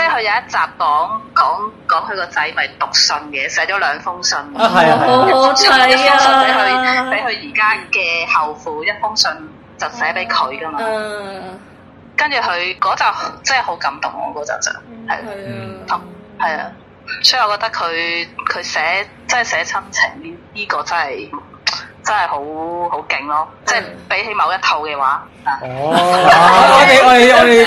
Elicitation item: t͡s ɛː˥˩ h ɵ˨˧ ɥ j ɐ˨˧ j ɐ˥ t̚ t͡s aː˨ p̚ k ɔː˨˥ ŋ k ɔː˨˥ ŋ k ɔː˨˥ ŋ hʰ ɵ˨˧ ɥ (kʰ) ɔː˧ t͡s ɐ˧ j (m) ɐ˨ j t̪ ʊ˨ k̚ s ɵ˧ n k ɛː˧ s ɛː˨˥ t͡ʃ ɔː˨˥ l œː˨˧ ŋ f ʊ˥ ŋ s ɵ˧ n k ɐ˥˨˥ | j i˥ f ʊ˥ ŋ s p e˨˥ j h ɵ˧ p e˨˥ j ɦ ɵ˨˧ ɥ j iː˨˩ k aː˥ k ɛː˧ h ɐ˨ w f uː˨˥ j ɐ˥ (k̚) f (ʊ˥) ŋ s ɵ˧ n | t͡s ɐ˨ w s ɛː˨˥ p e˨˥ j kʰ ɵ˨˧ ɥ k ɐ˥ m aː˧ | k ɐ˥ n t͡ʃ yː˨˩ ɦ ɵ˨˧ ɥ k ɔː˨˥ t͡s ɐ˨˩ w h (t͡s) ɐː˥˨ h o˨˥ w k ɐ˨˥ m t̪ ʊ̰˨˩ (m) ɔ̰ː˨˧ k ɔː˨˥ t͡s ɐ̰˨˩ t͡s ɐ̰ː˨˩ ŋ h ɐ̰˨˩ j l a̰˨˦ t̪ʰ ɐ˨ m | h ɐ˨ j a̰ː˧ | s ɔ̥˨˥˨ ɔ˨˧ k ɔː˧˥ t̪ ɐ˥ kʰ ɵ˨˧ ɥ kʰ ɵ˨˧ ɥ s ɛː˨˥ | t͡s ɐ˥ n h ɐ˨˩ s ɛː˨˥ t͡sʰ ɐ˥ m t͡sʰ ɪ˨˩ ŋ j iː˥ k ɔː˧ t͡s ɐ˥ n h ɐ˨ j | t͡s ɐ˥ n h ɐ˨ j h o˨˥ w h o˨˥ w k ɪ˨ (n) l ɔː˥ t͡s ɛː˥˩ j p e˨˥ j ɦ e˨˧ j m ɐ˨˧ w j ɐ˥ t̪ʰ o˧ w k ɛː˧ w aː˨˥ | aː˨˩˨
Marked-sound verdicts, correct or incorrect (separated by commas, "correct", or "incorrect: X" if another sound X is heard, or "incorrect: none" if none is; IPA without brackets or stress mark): incorrect: k, correct, incorrect: t̚, correct, correct, incorrect: ŋ, incorrect: ŋ